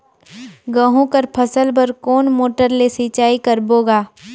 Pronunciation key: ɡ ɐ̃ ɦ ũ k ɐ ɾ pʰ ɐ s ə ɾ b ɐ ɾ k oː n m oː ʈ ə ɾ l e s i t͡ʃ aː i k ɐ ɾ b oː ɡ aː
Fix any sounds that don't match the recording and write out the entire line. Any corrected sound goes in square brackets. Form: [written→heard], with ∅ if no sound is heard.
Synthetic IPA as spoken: ɡ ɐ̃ ɦ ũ k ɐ ɾ pʰ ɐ s ə [ɾ→l] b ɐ ɾ k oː n m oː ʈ ə ɾ l e s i t͡ʃ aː i k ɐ ɾ b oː ɡ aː

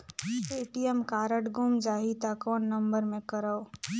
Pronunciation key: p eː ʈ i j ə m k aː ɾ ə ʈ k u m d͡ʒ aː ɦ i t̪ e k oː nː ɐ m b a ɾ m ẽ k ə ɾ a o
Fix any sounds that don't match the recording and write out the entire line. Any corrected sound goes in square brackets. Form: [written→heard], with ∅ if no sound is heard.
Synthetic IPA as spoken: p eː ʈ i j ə m k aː ɾ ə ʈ [k→ɡ] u m d͡ʒ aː ɦ i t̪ [e→a] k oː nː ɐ m b [a→ə] ɾ m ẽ k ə ɾ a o

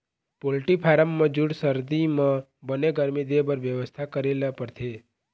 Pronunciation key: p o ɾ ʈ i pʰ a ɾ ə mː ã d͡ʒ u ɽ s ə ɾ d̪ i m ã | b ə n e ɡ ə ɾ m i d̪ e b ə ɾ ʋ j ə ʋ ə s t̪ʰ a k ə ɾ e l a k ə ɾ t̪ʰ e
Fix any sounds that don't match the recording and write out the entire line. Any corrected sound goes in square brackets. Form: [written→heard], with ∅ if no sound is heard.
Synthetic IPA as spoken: p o [ɾ→l] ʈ i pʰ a ɾ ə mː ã d͡ʒ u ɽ s ə ɾ d̪ i m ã | b ə n e ɡ ə ɾ m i d̪ e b ə ɾ ʋ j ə ʋ ə s t̪ʰ a k ə ɾ e l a [k→p] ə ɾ t̪ʰ e

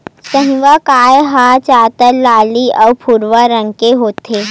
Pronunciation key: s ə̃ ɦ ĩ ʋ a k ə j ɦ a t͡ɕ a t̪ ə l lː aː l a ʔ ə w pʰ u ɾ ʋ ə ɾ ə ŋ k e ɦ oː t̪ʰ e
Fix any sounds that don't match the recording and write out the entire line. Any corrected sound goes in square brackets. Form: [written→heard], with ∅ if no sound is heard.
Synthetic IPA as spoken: s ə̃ ɦ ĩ ʋ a k [ə→a] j ɦ a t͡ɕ a t̪ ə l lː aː l [a→i] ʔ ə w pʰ u ɾ ʋ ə ɾ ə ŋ k e ɦ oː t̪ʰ e

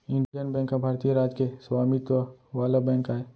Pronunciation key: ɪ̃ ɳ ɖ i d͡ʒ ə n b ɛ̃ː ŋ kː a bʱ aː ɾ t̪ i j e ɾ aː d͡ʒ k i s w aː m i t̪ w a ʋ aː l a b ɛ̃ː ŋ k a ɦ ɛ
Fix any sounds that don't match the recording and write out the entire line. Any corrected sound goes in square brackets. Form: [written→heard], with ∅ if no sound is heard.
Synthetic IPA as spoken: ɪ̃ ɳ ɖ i d͡ʒ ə n b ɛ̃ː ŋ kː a bʱ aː ɾ t̪ i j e ɾ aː d͡ʒ k [i→e] s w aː m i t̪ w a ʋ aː l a b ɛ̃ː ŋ k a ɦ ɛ

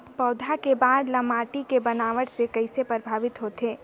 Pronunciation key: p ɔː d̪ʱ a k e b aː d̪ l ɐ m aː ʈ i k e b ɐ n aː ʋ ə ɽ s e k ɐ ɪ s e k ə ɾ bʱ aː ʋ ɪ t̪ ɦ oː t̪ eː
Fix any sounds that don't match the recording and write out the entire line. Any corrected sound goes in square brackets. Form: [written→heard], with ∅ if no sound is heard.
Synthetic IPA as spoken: p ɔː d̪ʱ a k e b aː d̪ l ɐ m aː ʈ i k e b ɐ n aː ʋ ə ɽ s e k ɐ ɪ s e [k→p] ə ɾ bʱ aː ʋ ɪ t̪ ɦ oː t̪ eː

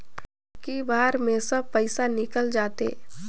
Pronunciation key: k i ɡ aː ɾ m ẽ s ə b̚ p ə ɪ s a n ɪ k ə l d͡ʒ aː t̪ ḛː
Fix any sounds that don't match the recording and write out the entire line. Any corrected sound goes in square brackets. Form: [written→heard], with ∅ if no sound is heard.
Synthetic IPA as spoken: k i [ɡ→b] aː ɾ m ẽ s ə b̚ p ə ɪ s a n ɪ k ə l d͡ʒ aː t̪ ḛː

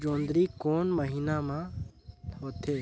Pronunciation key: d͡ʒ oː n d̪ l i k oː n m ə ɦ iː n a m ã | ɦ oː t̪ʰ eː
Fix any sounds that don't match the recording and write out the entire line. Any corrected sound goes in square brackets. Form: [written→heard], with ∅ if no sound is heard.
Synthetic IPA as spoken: d͡ʒ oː n d̪ [l→ɾ] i k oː n m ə ɦ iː n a m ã | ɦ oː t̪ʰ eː

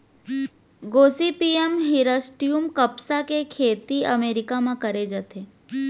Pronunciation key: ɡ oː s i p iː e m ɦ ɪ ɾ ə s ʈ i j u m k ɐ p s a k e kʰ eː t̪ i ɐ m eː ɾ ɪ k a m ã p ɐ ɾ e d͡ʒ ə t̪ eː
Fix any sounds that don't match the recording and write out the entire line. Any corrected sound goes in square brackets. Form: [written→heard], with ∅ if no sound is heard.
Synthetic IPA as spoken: ɡ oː s i p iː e m ɦ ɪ ɾ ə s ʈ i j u m k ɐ p s a k e kʰ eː t̪ i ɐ m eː ɾ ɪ k a m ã [p→k] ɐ ɾ e d͡ʒ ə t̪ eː

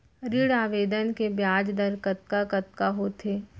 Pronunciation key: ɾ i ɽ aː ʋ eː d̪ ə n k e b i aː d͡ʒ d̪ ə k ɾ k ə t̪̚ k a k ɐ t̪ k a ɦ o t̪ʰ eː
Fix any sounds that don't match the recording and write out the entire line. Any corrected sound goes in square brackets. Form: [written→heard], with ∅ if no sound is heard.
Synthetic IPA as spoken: ɾ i ɽ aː ʋ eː d̪ ə n k e b [i→j] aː d͡ʒ d̪ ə [k→∅] ɾ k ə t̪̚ k a k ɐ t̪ k a ɦ o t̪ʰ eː

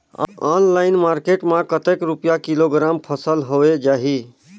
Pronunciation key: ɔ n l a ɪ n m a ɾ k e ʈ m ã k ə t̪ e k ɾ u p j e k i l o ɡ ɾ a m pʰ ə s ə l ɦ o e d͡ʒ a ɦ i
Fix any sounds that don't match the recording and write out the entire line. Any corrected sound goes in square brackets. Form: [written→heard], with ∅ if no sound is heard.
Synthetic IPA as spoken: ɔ n l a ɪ n m a ɾ k e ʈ m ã k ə t̪ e k ɾ u p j [e→a] k i l o ɡ ɾ a m pʰ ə s ə l ɦ o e d͡ʒ a ɦ i

